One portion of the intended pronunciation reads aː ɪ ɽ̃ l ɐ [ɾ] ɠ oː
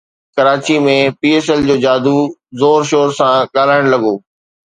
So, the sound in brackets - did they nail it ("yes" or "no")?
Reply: no